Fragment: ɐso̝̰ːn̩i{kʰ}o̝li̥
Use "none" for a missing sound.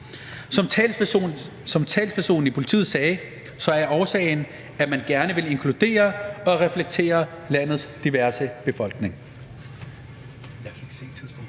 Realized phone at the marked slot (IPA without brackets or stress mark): pʰ